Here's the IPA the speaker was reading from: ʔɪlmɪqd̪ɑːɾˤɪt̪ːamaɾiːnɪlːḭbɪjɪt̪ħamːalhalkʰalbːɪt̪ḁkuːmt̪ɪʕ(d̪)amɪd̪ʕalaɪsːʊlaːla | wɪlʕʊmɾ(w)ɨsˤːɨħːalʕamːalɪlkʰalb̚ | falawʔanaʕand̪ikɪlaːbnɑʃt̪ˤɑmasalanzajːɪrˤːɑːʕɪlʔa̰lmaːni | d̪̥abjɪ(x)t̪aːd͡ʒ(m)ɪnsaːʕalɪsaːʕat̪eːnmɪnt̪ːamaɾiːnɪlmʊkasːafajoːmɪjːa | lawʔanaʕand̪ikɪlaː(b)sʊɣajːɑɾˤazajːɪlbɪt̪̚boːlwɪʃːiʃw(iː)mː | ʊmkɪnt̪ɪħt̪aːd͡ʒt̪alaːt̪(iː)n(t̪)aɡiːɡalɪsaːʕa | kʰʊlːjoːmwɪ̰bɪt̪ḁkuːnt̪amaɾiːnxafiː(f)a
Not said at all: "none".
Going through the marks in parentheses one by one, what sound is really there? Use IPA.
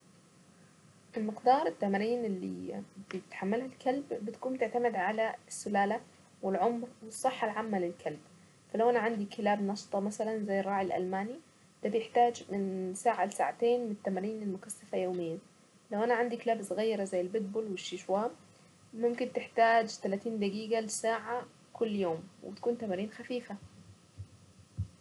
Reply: t̪, w, ħ, m, b, aː, iː, d̪, f

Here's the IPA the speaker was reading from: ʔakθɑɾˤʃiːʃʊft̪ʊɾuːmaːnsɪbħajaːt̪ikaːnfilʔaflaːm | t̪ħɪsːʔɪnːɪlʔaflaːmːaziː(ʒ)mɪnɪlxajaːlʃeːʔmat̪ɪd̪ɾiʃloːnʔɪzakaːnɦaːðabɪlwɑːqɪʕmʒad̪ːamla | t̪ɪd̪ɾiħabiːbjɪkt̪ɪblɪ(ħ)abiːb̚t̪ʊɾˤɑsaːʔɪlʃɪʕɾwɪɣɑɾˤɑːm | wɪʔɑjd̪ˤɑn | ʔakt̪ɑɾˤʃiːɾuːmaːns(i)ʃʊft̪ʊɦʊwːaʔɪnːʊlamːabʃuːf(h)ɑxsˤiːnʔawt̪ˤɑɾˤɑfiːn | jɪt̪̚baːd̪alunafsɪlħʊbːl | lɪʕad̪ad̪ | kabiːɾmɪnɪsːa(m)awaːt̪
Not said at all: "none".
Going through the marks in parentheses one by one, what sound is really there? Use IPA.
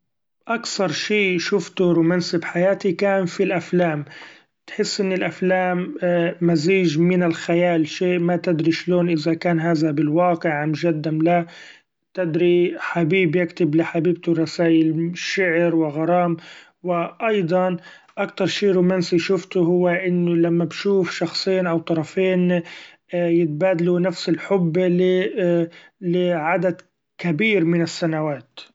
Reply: ʒ, ħ, i, ʃ, n

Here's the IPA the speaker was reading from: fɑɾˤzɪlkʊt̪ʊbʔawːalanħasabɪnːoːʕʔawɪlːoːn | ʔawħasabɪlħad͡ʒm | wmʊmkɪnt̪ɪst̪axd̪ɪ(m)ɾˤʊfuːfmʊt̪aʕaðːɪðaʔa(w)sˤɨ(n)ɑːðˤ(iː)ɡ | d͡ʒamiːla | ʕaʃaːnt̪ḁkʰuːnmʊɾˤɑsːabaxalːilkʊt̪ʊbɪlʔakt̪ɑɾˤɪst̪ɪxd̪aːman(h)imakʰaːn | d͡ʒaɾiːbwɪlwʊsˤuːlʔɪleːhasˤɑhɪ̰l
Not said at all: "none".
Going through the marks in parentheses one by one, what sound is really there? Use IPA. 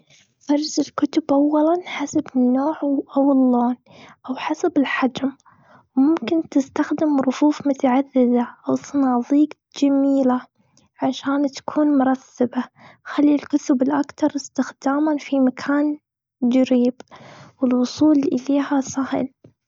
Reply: m, w, n, iː, f

